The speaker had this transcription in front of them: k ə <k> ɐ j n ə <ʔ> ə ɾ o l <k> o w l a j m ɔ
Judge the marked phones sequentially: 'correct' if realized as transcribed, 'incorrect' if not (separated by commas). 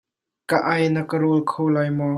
incorrect, incorrect, incorrect